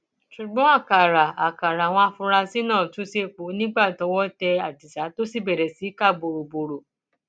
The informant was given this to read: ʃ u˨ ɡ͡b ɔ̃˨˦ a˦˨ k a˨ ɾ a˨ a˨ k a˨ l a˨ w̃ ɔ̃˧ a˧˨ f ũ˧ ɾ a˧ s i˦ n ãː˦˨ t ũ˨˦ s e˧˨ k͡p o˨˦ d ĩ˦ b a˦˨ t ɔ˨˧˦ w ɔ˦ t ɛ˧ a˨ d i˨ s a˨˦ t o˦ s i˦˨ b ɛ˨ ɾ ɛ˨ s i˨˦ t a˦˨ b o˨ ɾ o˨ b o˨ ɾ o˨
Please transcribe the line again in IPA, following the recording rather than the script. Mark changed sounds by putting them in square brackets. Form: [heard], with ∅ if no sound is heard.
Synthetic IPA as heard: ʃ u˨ ɡ͡b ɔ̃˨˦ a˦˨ k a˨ ɾ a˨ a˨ k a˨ [ɾ] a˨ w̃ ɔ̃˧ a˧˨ f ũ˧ ɾ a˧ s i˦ n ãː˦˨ t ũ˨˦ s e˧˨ k͡p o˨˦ [n] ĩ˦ [ɡ͡b] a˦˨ t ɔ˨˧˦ w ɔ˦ t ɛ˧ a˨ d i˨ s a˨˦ t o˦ s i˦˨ b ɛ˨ ɾ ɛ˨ s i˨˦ [k] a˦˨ b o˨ ɾ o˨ b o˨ ɾ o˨

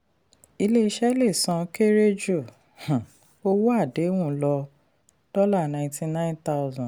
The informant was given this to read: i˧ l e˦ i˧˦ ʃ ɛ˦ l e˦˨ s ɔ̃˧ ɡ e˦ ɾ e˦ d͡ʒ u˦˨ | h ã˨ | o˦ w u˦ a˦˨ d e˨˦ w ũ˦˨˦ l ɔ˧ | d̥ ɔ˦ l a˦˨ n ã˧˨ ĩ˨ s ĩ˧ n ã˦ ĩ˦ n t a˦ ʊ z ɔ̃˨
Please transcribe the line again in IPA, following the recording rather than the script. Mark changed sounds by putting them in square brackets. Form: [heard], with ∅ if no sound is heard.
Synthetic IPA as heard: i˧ l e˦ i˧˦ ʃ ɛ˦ l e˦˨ s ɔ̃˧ [k] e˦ ɾ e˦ d͡ʒ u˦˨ | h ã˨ | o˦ w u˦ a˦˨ d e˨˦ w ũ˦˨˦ l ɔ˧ | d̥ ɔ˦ l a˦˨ n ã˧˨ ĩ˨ [t] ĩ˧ n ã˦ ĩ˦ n t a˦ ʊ z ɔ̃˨

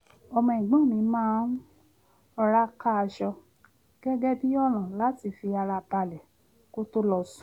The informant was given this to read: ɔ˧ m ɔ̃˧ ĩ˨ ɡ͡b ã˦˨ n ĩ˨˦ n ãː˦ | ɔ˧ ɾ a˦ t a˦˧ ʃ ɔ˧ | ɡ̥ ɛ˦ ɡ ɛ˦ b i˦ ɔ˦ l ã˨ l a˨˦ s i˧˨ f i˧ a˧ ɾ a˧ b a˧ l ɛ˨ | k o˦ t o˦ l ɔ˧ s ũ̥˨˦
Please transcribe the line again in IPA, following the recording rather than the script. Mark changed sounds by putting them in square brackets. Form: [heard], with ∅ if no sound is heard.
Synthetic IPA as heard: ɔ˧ m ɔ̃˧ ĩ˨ ɡ͡b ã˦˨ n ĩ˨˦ [m] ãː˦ | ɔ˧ ɾ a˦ [k] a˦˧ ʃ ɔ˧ | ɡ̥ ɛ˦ ɡ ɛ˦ b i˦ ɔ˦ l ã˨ l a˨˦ [t] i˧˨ f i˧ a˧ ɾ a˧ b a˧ l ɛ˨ | k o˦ t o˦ l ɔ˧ s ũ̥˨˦

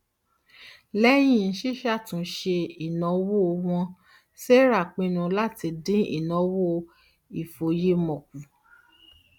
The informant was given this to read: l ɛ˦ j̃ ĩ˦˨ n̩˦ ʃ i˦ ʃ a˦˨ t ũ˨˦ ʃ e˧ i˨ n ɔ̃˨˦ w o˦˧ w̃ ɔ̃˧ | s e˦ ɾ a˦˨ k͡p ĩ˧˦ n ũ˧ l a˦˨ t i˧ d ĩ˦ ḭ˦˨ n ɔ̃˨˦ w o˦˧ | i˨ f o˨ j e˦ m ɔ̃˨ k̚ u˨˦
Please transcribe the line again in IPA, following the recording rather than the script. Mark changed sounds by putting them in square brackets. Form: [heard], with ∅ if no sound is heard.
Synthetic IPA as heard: l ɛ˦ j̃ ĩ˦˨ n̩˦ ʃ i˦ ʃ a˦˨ t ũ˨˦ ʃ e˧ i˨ n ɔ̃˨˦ w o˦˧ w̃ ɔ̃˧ | s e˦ ɾ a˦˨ k͡p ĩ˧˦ n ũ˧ l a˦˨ t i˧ d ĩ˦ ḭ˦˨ n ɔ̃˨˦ w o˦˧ | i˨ f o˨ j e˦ m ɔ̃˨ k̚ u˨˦

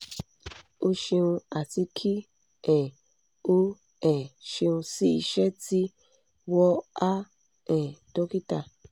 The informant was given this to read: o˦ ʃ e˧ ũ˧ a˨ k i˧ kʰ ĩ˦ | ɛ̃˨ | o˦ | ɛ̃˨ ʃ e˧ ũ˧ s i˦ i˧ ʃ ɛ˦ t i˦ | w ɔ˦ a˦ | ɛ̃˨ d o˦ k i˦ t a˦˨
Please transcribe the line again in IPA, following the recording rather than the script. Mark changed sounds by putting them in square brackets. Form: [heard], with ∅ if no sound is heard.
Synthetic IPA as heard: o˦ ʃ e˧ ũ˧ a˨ [t] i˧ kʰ [i˦] | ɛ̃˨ | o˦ | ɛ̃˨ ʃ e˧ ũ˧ s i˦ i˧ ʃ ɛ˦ t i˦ | w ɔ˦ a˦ | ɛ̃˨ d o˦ k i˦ t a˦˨

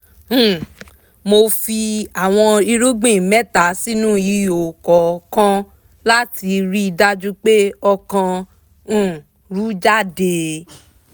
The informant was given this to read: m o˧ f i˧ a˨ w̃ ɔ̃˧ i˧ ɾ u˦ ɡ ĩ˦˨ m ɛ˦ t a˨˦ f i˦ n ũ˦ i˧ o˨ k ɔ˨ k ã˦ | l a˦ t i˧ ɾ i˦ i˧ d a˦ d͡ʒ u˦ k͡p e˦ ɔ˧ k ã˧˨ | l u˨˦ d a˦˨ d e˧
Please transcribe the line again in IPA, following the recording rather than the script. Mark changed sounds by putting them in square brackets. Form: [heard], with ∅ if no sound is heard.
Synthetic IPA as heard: m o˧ f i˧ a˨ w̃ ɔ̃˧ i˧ ɾ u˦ [ɡ͡b] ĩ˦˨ m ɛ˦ t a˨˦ [s] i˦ n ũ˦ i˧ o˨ k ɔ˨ k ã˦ | l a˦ t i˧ ɾ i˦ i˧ d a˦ d͡ʒ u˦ k͡p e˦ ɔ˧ k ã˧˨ | [ɾ] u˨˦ [d͡ʒ] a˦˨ d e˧

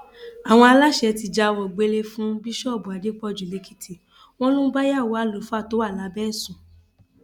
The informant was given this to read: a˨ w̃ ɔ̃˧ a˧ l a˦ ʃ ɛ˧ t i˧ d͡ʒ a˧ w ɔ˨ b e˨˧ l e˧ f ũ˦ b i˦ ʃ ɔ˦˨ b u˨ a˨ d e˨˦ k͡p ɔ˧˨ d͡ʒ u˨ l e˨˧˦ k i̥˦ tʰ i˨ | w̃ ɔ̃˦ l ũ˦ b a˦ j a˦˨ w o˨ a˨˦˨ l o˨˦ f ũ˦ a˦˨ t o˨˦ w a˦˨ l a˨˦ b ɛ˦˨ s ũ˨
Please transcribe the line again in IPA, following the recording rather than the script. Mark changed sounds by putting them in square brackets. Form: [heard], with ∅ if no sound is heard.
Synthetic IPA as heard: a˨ w̃ ɔ̃˧ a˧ l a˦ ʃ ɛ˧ t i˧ d͡ʒ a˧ w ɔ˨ [ɡ͡b] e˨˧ l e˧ f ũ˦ b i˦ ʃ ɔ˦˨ b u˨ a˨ d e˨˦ k͡p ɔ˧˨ d͡ʒ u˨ l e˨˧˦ k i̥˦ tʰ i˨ | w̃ ɔ̃˦ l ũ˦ b a˦ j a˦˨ w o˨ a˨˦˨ l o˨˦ f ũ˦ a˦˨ t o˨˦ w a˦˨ l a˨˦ b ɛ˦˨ s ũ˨

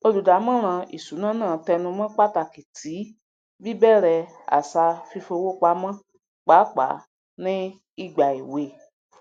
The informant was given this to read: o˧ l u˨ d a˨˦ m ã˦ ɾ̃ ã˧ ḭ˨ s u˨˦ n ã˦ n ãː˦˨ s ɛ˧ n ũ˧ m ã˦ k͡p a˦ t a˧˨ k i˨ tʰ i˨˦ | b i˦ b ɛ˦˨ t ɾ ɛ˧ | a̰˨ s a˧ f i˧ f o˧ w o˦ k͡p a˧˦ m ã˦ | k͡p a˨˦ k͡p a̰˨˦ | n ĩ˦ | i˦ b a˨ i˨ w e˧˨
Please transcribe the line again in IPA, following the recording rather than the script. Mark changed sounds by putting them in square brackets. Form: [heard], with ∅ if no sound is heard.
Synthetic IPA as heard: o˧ l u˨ d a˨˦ m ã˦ ɾ̃ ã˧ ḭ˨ s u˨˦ n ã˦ n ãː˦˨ [t] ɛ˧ n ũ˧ m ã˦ k͡p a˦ t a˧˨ k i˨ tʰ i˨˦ | b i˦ b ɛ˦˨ [∅] ɾ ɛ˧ | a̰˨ s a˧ f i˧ f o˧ w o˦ k͡p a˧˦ m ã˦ | k͡p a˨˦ k͡p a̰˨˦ | n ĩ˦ | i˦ [ɡ͡b] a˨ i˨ w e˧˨

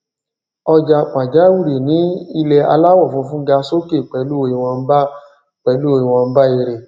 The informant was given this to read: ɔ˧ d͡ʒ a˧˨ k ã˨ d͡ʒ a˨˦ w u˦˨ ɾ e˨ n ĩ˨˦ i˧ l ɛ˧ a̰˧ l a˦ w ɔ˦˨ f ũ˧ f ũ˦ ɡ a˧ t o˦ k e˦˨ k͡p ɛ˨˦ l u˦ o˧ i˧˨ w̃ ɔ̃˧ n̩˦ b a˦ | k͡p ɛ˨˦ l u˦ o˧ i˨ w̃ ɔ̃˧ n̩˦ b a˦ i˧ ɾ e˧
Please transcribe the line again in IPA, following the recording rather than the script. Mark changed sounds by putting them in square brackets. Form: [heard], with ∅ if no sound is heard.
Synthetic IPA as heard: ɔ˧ d͡ʒ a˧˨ [k͡p] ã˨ d͡ʒ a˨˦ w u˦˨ ɾ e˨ n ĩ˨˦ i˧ l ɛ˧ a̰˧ l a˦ w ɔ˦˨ f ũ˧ f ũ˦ ɡ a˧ [s] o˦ k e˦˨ k͡p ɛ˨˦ l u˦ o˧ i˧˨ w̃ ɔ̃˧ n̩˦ b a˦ | k͡p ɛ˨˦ l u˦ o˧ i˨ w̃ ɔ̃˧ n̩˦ b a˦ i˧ ɾ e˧

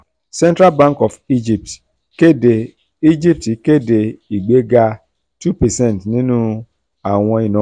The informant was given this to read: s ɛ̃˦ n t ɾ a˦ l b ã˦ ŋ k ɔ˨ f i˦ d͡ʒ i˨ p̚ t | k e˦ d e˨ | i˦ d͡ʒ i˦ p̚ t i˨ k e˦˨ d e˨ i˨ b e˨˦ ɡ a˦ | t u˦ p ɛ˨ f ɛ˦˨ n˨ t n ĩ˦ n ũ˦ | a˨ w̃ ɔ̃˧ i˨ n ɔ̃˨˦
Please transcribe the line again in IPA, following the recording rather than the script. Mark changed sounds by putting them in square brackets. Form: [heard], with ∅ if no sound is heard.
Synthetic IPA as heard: s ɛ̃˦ n t ɾ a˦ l b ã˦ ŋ k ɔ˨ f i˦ d͡ʒ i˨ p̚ t | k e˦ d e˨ | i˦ d͡ʒ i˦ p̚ t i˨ k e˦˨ d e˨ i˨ [ɡ͡b] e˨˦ ɡ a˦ | t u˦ p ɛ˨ [s] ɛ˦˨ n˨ t n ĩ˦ n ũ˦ | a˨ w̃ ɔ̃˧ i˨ n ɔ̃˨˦

